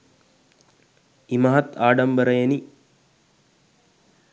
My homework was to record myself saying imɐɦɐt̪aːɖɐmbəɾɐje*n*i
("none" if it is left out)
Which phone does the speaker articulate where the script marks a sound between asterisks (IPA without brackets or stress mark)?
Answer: n